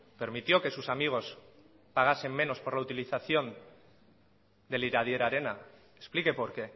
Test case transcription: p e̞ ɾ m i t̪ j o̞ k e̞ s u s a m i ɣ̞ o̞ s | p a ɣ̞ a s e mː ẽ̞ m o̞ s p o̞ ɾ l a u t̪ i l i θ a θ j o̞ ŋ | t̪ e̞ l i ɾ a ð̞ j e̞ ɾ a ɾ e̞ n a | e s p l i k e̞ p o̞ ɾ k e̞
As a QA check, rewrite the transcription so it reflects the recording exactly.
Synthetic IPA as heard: p e̞ ɾ m i t̪ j o̞ k e̞ s u s a m i ɣ̞ o̞ s | p a ɣ̞ a s e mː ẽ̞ n o̞ s p o̞ ɾ l a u t̪ i l i θ a θ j o̞ n | d̪ e̞ l i ɾ a ð̞ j e̞ ɾ a ɾ e̞ n a | e s p l i k e̞ p o̞ ɾ k e̞